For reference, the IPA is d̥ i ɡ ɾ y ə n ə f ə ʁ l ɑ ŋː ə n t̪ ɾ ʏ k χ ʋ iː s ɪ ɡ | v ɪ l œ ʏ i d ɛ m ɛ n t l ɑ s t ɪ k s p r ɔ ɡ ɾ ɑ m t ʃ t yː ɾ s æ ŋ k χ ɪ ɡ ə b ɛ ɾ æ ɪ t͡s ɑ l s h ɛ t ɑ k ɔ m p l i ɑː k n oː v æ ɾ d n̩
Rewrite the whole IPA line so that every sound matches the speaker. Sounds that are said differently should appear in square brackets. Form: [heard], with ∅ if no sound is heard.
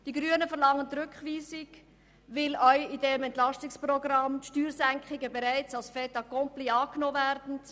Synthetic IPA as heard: d̥ i ɡ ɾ y ə n ə f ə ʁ l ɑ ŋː ə n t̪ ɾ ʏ k χ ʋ iː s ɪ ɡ | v ɪ l œ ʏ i d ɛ m ɛ n t l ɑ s t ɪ k s p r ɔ ɡ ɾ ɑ m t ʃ t yː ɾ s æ ŋ k χ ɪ ɡ ə b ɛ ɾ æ ɪ t͡s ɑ l s [f] ɛ t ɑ k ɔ m p l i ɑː k n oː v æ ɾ d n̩